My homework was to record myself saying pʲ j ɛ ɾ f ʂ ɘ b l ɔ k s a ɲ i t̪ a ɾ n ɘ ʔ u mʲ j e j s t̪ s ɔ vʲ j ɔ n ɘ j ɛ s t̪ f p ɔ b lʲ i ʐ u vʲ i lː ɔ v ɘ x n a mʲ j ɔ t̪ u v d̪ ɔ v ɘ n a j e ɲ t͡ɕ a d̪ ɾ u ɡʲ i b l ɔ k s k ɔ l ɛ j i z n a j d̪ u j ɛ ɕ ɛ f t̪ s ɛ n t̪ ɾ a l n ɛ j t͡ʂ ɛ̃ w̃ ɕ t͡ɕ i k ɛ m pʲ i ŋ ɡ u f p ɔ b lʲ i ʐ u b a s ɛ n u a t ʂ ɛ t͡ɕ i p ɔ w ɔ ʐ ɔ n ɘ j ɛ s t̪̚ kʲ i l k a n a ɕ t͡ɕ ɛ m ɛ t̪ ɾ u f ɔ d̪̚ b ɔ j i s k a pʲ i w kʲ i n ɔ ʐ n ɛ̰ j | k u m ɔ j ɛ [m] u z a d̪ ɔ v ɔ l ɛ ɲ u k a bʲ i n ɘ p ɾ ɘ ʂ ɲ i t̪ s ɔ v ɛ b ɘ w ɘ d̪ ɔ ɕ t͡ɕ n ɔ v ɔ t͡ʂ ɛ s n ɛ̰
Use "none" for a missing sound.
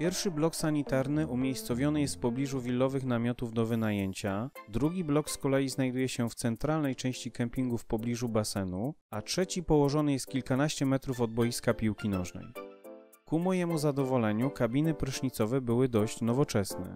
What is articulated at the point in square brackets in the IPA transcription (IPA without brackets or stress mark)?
m